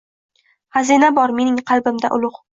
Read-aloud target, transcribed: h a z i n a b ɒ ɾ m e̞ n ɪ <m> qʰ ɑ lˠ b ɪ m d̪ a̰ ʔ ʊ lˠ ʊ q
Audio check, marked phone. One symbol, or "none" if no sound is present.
ŋ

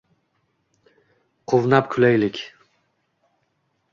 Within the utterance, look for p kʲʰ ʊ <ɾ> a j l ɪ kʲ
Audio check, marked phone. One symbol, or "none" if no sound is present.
l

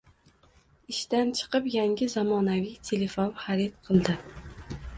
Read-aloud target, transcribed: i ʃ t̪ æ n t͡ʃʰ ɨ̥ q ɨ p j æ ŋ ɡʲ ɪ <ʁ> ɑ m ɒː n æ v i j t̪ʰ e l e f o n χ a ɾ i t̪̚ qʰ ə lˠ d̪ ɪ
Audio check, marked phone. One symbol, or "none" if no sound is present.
z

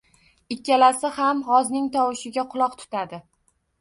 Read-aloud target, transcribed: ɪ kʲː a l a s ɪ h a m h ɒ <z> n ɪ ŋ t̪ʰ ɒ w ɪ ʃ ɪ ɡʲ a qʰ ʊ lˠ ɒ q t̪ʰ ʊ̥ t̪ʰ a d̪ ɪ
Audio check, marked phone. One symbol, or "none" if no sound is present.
z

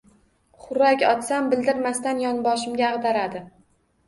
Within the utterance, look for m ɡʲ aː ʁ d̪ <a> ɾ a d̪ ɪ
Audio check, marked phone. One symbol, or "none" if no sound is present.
a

